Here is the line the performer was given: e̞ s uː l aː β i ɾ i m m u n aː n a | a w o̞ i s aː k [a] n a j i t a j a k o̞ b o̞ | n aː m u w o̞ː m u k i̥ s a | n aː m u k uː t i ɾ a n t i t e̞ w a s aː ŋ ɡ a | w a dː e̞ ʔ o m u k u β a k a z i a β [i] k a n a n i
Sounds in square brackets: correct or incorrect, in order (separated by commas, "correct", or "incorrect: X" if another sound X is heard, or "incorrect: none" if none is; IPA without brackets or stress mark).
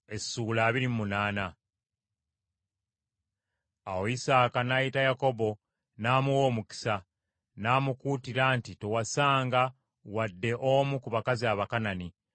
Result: correct, incorrect: a